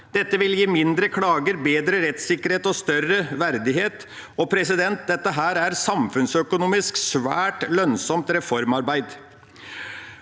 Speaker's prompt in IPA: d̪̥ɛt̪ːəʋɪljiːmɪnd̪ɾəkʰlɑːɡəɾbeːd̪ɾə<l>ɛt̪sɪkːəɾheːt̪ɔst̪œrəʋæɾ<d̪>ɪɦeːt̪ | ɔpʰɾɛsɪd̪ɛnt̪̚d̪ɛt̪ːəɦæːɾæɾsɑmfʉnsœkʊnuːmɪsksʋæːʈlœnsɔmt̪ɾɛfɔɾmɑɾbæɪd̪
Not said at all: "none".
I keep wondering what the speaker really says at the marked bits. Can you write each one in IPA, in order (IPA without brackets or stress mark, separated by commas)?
ɾ, d̪